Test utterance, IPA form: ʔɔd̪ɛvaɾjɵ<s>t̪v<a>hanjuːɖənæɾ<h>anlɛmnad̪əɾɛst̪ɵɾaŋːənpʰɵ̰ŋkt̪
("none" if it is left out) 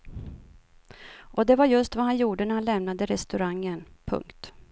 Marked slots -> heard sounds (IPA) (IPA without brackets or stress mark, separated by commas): s, a, h